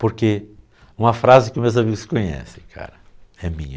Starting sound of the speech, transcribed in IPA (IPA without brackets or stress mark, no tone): p